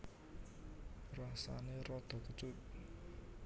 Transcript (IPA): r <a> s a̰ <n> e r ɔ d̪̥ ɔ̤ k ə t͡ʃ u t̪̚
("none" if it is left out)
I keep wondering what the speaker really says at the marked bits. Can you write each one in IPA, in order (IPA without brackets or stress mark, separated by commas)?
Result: a, n